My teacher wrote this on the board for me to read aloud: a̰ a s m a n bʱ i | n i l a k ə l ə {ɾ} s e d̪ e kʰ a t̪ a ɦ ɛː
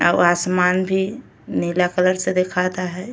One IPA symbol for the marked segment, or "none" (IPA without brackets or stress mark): ɾ